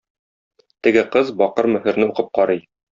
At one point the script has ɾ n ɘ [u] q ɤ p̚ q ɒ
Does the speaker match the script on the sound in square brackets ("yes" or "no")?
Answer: yes